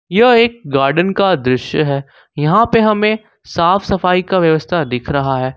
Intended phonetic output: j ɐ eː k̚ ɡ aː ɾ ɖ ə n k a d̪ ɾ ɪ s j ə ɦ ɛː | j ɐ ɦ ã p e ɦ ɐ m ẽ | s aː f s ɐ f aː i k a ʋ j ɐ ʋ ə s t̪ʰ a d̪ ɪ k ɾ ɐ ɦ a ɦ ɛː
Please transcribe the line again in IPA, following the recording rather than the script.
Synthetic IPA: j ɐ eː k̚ ɡ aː ɾ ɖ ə n k a d̪ ɾ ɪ ʃ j ə ɦ ɛː | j ɐ ɦ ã p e ɦ ɐ m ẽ | s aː f s ɐ f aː i k a ʋ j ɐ ʋ ə s t̪ʰ a d̪ ɪ kʰ ɾ ɐ ɦ a ɦ ɛː